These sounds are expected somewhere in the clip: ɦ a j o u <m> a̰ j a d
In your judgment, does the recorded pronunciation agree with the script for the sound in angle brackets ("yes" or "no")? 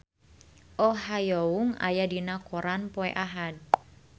no